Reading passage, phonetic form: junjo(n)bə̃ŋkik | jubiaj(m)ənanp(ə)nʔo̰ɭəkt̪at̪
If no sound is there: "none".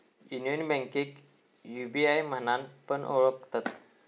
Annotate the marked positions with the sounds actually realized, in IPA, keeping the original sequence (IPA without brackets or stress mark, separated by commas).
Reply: n, m, ə